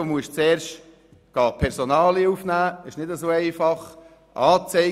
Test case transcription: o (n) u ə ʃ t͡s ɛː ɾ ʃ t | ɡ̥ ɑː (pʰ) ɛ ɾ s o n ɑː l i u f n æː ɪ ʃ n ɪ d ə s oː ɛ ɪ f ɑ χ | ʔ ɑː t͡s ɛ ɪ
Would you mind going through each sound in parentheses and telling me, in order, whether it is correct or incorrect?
incorrect: m, correct

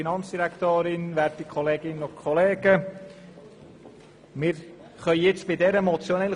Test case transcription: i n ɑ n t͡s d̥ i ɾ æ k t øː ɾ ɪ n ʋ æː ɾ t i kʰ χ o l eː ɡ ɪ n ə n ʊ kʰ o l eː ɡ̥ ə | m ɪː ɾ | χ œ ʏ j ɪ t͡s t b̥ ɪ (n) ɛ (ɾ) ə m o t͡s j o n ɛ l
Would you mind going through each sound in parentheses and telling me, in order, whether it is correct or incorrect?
incorrect: d, correct

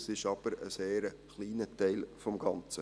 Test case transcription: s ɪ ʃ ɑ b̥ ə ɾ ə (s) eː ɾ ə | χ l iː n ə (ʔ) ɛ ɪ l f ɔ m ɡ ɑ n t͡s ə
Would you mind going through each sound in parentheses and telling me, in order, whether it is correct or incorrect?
correct, incorrect: t

